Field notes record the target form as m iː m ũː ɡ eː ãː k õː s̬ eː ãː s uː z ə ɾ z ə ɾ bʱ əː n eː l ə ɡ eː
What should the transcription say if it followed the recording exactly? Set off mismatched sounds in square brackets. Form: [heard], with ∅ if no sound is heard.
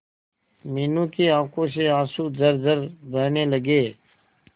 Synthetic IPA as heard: m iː [n] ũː [k] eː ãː k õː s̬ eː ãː s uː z ə ɾ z ə ɾ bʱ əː n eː l ə ɡ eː